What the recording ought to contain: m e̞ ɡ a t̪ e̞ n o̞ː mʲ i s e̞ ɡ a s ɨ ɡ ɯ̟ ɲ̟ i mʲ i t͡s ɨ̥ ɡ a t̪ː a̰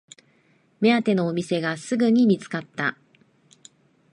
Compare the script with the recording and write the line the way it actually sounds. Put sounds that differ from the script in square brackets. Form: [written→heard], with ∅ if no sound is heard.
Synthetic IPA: m e̞ [ɡ→∅] a t̪ e̞ n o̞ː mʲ i s e̞ ɡ a s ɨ ɡ ɯ̟ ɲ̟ i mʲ i t͡s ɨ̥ [ɡ→k] a t̪ː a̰